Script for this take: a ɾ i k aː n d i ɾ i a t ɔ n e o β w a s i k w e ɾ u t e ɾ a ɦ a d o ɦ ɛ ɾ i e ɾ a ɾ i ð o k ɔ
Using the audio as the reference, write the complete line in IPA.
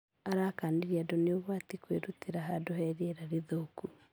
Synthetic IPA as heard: a ɾ a k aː n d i ɾ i a d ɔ n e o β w a t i k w e ɾ u t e ɾ a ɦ a d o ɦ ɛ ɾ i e ɾ a ɾ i ð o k u